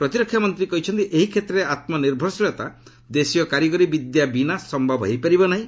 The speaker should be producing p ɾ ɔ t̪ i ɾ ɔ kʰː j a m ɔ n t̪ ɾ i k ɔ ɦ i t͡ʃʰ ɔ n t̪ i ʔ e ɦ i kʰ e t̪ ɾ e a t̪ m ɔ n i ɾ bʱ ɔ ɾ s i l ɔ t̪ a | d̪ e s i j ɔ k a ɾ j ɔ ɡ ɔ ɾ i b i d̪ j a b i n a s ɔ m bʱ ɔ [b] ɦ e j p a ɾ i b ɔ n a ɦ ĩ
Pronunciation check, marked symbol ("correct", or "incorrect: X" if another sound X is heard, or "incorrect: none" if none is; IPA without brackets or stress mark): correct